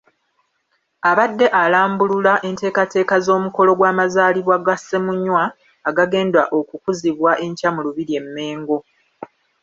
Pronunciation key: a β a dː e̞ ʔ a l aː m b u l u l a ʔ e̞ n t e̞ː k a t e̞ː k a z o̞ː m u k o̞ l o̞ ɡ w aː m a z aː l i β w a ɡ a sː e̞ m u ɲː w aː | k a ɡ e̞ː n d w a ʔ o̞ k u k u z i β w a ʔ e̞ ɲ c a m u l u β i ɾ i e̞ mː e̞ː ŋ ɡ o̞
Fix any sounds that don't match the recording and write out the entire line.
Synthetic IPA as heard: a β a dː e̞ ʔ a l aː m b u l u l a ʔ e̞ n t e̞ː k a t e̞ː k a z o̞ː m u k o̞ l o̞ ɡ w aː m a z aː l i β w a ɡ a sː e̞ m u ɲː w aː | ɡ a ɡ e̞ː n d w a ʔ o̞ k u k u z i β w a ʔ e̞ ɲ c a m u l u β i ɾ i e̞ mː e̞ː ŋ ɡ o̞